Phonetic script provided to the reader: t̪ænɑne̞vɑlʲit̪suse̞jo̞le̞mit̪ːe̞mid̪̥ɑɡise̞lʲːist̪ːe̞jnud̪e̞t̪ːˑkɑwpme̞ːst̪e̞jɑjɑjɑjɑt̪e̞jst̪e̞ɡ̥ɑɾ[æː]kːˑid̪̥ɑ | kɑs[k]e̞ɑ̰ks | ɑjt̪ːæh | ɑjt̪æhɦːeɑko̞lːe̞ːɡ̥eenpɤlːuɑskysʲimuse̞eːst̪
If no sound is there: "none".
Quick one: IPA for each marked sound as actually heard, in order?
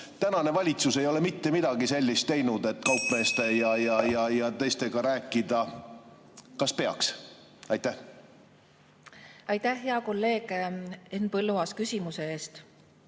æː, p

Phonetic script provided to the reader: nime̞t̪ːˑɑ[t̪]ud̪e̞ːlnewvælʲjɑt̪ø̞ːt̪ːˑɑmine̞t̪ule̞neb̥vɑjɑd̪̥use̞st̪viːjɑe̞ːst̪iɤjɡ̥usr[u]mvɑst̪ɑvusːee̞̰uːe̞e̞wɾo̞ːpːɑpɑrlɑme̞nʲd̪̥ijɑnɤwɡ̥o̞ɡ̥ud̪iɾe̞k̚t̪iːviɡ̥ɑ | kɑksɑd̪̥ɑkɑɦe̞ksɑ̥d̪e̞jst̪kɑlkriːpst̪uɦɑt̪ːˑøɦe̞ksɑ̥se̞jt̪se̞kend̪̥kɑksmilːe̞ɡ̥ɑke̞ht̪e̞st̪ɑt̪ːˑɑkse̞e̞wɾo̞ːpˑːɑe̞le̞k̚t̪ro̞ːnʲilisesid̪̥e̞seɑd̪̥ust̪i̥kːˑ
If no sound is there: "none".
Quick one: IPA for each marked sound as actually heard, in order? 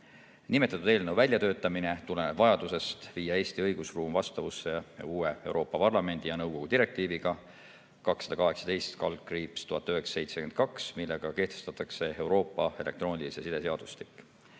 t̪, uː

